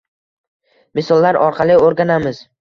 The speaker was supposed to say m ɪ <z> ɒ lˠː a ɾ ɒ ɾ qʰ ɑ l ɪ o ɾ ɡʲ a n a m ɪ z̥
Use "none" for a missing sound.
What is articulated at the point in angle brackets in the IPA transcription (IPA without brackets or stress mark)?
s